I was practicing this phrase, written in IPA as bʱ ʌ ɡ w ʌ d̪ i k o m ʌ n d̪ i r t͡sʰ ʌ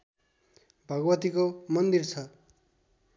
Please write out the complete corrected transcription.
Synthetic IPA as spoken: bʱ ʌ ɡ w ʌ t̪ i k o m ʌ n d̪ i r t͡sʰ ʌ